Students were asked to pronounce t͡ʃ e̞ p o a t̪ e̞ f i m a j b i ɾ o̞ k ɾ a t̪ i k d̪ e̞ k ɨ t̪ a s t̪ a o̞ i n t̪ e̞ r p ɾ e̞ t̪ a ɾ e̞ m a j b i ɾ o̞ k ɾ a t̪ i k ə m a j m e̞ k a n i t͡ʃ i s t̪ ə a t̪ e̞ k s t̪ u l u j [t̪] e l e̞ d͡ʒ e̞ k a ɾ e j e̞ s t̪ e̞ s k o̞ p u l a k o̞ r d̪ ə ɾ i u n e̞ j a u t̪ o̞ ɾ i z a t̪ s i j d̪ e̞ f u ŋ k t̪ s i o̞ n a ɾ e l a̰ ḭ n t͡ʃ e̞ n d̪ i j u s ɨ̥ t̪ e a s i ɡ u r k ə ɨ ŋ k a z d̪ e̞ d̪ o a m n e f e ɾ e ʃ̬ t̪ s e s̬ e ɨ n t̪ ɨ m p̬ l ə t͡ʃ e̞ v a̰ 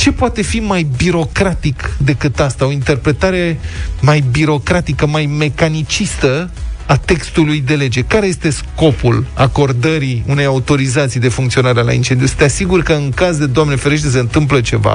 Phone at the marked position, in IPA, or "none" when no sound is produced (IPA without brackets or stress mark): d̪